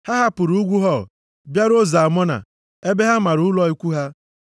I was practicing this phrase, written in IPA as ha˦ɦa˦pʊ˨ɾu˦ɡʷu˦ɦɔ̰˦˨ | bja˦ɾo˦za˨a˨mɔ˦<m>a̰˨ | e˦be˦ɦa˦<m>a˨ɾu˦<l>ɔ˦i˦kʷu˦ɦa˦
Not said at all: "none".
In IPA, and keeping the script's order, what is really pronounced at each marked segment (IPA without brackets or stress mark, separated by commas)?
n, m, l